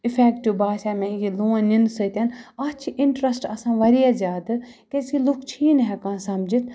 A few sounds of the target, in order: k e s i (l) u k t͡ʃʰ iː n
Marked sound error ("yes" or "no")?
no